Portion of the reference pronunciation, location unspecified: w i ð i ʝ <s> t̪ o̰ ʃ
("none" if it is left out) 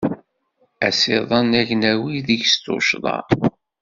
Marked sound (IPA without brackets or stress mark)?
s